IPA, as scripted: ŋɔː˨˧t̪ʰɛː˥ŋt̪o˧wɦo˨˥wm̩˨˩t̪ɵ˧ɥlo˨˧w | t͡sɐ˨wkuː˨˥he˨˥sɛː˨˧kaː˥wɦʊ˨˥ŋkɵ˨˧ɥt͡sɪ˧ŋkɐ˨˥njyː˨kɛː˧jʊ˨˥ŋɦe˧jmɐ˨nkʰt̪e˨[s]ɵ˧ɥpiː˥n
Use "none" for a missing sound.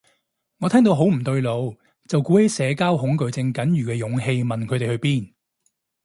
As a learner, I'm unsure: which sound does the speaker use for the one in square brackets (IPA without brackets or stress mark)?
h